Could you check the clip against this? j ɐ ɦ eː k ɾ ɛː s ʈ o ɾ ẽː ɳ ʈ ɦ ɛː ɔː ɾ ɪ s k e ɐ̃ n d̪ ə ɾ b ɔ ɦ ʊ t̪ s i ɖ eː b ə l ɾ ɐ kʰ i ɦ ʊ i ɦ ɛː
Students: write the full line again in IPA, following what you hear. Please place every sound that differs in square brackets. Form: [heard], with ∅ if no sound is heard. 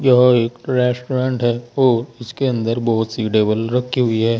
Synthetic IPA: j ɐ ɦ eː k ɾ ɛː s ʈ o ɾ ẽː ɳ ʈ ɦ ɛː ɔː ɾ ɪ s k e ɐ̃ n d̪ ə ɾ b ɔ ɦ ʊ t̪ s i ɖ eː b ə l ɾ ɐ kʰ i ɦ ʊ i ɦ ɛː